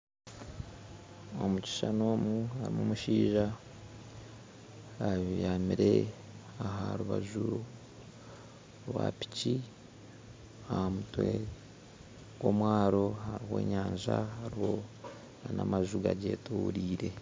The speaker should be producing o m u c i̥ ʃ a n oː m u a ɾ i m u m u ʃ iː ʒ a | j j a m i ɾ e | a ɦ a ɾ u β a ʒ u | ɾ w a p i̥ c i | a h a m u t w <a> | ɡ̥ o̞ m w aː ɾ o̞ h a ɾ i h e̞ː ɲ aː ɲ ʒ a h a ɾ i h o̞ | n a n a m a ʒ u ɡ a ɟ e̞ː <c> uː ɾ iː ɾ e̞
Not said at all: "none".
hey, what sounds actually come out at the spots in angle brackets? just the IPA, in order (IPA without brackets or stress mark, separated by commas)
e, t